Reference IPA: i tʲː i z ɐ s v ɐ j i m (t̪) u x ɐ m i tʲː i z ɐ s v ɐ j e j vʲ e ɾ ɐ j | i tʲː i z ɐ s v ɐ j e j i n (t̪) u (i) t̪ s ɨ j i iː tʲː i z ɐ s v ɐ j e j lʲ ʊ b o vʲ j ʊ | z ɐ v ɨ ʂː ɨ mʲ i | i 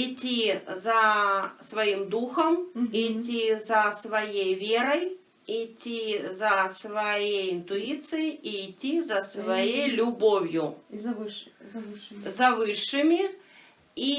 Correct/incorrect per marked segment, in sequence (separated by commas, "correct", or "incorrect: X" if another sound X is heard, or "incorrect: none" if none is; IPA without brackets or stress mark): incorrect: d̪, correct, correct